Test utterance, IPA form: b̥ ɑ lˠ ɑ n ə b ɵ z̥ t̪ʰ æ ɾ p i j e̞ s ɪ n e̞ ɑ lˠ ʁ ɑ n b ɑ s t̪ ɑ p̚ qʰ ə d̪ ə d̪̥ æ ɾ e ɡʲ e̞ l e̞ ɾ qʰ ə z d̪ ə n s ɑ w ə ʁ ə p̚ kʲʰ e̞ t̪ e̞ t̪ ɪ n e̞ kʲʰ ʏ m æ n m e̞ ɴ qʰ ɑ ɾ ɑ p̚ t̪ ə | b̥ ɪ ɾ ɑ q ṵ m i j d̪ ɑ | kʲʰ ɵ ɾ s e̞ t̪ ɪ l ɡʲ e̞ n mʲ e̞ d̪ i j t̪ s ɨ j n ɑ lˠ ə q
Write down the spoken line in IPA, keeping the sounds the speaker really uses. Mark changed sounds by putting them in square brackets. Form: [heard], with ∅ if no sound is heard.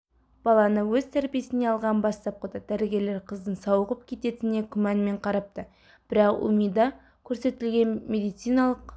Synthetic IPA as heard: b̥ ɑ lˠ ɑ n ə [w] ɵ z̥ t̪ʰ æ ɾ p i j e̞ s ɪ n e̞ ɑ lˠ ʁ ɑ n b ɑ s t̪ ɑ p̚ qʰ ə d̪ ə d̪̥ æ ɾ e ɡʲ e̞ l e̞ ɾ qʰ ə z d̪ ə n s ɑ w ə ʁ ə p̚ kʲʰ e̞ t̪ e̞ t̪ ɪ n e̞ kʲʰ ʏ m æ n m e̞ ɴ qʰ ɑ ɾ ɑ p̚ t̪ ə | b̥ ɪ ɾ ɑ q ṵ m i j d̪ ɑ | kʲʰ ɵ ɾ s e̞ t̪ ɪ l ɡʲ e̞ n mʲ e̞ d̪ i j t̪ s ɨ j n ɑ lˠ ə q